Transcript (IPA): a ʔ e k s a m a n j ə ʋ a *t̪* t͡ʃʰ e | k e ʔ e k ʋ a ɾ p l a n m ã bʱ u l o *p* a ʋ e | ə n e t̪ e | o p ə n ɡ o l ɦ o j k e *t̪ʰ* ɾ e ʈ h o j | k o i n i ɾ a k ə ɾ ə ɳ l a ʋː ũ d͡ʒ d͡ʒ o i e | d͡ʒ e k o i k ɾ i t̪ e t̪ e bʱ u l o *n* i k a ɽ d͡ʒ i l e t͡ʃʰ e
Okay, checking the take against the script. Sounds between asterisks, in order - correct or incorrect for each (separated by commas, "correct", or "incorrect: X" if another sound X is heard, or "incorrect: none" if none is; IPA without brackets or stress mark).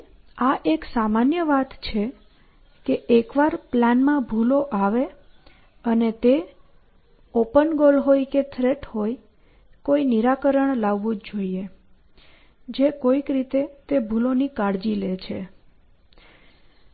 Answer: correct, incorrect: ʔ, correct, correct